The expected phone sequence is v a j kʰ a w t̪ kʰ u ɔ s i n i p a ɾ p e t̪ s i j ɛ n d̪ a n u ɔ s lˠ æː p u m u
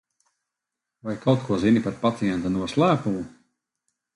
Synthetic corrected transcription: v a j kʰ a w t̪ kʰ u ɔ z i n i p a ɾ p a t̪ s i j ɛ n t̪ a n u ɔ s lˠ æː p u m u